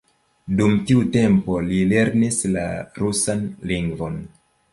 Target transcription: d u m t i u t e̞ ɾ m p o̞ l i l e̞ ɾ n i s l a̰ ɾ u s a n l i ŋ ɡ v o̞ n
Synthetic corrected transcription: d u m t i u t e̞ m p o̞ l i l e̞ ɾ n i s l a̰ ɾ u s a n l i ŋ ɡ v o̞ n

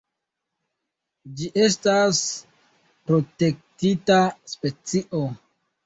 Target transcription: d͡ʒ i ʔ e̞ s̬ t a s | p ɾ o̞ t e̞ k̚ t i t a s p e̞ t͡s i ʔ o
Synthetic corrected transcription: d͡ʒ i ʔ e̞ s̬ t a s | p ɾ o̞ t e̞ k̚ t i t a s p e̞ t͡s i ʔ o

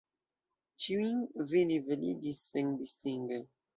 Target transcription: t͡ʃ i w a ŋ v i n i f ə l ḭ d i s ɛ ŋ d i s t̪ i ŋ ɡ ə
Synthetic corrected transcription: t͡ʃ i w i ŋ v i n i v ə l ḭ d i s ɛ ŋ d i s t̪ i ŋ ɡ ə

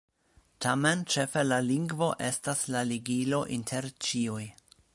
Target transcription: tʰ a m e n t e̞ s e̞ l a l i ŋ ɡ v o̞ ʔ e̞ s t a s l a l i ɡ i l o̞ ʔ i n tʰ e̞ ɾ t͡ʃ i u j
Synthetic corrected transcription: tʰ a m e n t͡ʃ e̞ f e̞ l a l i ŋ ɡ v o̞ ʔ e̞ s t a s l a l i ɡ i l o̞ ʔ i n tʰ e̞ ɾ t͡ʃ i u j

